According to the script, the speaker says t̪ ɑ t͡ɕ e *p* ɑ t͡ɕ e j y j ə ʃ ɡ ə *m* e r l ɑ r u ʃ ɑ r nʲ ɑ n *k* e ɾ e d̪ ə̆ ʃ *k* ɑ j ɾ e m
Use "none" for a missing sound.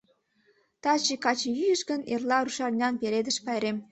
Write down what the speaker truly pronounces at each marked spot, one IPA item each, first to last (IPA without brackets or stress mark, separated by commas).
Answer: k, n, p, p